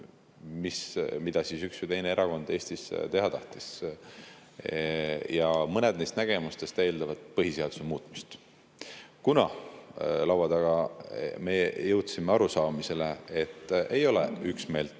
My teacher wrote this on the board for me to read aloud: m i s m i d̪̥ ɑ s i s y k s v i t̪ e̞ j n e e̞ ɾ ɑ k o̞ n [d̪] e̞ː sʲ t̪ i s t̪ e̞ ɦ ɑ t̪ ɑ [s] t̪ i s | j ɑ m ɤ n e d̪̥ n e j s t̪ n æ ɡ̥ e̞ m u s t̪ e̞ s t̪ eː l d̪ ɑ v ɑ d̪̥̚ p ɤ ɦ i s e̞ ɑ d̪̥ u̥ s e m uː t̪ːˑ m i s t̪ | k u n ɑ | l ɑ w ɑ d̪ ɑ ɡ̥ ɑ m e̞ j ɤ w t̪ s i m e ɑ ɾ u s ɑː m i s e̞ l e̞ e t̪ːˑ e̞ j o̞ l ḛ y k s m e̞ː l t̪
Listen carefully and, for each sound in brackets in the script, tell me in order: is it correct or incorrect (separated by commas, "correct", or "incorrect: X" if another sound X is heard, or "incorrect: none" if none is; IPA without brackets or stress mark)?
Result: correct, incorrect: h